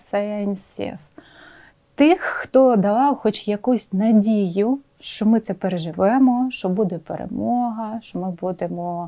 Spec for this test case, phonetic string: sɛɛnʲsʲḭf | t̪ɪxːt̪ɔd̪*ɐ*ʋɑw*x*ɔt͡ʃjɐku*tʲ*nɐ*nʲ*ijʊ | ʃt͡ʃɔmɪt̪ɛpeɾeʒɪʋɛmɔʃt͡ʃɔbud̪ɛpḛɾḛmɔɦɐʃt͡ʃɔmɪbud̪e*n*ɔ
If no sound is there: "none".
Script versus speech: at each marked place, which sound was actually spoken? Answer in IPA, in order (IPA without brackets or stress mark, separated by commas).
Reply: ɐ, x, sʲ, dʲ, m